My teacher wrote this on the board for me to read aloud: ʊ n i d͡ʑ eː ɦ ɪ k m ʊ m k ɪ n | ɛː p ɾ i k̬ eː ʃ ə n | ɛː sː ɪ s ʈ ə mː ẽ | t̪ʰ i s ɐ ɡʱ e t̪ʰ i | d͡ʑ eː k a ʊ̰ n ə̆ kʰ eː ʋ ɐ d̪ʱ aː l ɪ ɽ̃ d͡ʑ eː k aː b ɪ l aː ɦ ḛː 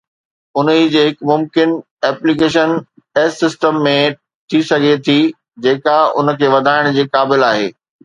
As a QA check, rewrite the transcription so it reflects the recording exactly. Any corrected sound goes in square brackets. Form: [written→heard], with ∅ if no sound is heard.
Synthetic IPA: ʊ n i d͡ʑ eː ɦ ɪ k m ʊ m k ɪ n | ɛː p [ɾ→l] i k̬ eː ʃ ə n | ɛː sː ɪ s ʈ ə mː ẽ | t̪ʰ i s ɐ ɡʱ e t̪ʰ i | d͡ʑ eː k a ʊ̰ n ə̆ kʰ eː ʋ ɐ d̪ʱ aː [l→∅] ɪ ɽ̃ d͡ʑ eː k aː b ɪ l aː ɦ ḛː